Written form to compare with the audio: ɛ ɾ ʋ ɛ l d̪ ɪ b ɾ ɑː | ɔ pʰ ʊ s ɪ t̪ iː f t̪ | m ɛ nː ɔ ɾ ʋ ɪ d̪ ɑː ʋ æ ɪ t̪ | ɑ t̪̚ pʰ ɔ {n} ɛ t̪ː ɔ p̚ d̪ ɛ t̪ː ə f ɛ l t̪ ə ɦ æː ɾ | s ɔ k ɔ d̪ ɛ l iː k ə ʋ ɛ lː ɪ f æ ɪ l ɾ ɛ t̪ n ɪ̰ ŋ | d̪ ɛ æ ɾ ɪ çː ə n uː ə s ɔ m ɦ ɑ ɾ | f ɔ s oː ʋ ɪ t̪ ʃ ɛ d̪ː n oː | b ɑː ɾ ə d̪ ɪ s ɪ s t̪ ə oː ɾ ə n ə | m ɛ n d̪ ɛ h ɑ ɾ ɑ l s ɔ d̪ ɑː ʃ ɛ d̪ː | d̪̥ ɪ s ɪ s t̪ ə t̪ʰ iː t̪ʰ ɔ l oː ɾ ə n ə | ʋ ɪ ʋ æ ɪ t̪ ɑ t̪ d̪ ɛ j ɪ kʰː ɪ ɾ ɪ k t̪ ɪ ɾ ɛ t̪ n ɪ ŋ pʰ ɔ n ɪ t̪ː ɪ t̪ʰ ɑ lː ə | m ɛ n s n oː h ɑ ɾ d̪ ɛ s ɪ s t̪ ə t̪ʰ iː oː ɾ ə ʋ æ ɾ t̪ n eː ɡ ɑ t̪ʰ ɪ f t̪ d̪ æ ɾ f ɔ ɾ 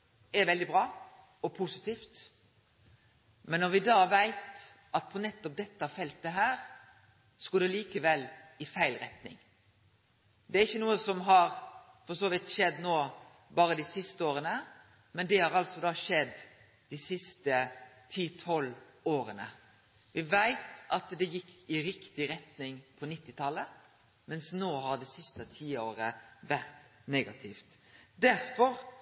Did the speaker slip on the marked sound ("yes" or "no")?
no